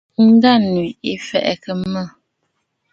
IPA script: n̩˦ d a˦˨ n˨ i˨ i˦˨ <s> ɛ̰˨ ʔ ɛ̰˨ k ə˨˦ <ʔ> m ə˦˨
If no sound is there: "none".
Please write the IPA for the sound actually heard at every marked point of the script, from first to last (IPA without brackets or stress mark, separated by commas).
f, none